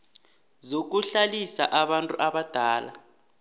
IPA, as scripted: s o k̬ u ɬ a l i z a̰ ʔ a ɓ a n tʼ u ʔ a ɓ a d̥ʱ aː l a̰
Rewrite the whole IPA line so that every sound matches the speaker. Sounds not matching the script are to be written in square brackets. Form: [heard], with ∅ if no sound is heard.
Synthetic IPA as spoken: [z] o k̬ u ɬ a l i [s] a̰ ʔ a ɓ a n tʼ u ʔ a ɓ a d̥ʱ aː l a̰